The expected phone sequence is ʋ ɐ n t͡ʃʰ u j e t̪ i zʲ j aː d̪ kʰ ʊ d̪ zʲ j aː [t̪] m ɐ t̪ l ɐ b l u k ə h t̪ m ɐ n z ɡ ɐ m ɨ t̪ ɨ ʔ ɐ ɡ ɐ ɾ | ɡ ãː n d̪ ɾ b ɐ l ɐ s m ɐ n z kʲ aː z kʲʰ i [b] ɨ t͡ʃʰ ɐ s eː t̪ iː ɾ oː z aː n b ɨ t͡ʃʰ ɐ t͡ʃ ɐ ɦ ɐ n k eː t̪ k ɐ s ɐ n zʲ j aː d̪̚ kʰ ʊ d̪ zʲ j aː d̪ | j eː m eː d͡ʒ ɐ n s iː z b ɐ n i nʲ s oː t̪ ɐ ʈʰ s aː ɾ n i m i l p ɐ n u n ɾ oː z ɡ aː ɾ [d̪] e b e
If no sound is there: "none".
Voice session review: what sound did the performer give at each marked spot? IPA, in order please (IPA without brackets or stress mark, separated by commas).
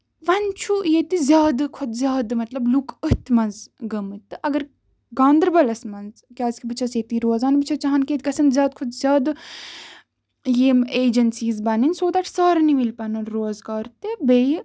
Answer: d̪, b, t̪